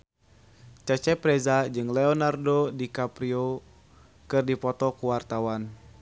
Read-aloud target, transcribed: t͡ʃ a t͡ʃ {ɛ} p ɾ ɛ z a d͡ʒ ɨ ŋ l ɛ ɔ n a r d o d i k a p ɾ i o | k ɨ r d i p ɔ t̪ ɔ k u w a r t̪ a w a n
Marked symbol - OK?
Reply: yes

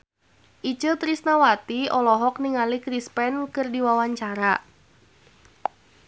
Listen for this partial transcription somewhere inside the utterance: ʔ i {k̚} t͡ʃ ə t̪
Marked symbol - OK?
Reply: no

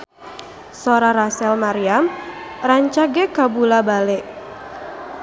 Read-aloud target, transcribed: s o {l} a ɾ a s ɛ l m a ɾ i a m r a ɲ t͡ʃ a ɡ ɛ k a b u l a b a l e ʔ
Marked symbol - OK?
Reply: no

